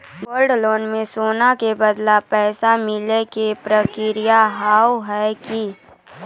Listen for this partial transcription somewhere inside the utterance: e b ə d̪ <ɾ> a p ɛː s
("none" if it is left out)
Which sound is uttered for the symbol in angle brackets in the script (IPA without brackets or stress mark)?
l